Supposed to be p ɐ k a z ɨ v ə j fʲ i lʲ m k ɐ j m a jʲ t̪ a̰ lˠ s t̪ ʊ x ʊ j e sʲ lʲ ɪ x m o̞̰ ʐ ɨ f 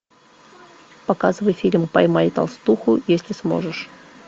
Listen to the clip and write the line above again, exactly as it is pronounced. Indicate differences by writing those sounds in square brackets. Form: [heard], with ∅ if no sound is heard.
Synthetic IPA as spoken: p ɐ k a z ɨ v ə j fʲ i lʲ m [p] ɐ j m a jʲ t̪ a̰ lˠ s t̪ [u] x ʊ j e sʲ lʲ ɪ [s] m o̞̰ ʐ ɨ [ʂ]